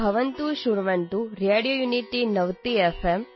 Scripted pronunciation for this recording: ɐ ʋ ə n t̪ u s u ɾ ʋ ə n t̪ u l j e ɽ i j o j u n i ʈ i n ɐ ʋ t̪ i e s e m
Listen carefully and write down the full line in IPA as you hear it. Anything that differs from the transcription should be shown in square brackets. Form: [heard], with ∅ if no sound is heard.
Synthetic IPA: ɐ ʋ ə n t̪ u [ʃ] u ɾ ʋ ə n t̪ u [ɾ] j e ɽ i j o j u n i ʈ i n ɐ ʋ t̪ i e [f] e m